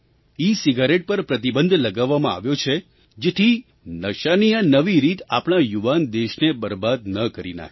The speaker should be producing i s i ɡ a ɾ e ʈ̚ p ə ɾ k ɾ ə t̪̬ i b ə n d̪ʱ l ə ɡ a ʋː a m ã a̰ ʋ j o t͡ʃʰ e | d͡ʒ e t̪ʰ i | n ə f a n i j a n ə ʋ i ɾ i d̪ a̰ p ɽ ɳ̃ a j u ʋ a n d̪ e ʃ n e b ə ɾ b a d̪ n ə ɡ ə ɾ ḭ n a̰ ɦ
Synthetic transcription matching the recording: i s i ɡ a ɾ e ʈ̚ p ə ɾ p ɾ ə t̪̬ i b ə n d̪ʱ l ə ɡ a ʋː a m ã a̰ ʋ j o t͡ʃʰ e | d͡ʒ e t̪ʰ i | n ə ʃ a n i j a n ə ʋ i ɾ i t̪ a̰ p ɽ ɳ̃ a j u ʋ a n d̪ e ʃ n e b ə ɾ b a d̪ n ə k ə ɾ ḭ n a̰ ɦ